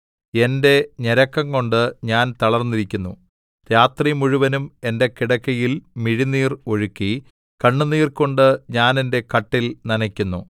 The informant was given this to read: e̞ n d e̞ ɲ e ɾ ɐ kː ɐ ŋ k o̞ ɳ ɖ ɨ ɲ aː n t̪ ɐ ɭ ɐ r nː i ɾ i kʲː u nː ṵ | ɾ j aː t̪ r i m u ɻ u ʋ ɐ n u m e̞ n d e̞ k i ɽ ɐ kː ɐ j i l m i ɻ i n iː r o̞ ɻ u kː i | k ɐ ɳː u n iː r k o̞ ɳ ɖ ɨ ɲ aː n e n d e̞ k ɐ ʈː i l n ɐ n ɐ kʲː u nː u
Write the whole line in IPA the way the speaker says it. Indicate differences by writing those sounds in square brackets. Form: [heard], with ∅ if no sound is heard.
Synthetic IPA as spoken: e̞ n d e̞ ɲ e ɾ ɐ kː ɐ ŋ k o̞ ɳ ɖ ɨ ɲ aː n t̪ ɐ ɭ ɐ r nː i ɾ i kʲː u nː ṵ | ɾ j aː t̪ r i m u ɻ u ʋ ɐ n u m e̞ n d e̞ k i ɽ ɐ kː ɐ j i l m i ɻ i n iː r o̞ ɻ u kː i | k ɐ ɳː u n iː r k o̞ ɳ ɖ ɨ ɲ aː n e n d e̞ k ɐ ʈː i l n ɐ n ɐ kʲː u nː u